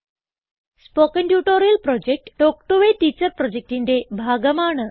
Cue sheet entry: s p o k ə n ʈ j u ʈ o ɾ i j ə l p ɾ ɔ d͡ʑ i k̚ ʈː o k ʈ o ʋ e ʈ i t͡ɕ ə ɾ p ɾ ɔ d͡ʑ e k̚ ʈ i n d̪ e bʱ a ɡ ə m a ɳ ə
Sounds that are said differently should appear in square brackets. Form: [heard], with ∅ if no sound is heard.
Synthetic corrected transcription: s p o k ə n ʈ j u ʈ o ɾ i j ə l p ɾ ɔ d͡ʑ [e] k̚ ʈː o k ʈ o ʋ e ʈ i t͡ɕ ə ɾ p ɾ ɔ d͡ʑ e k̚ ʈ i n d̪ e bʱ a ɡ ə m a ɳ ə